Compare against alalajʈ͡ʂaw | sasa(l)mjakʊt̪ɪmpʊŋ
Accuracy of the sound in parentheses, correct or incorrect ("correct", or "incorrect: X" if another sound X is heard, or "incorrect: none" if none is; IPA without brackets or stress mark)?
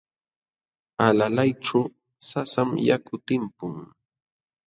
incorrect: none